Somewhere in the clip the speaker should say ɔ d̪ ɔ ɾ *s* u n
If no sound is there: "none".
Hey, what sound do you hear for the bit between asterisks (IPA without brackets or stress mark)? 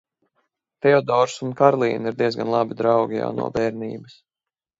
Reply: s